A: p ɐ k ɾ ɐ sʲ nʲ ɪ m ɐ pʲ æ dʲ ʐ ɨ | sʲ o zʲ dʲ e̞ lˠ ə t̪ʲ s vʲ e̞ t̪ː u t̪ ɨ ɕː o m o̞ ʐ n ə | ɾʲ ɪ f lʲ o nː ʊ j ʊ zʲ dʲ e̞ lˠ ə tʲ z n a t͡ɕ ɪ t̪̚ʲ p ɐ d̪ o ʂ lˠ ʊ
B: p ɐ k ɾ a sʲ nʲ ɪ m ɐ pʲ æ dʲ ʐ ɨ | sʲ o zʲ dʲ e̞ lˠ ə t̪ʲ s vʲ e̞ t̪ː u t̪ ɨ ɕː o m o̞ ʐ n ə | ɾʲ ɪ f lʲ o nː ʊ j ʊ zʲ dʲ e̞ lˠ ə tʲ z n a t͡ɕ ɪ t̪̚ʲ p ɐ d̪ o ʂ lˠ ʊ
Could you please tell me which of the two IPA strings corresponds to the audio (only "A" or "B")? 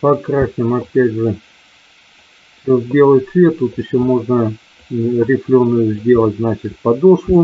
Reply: B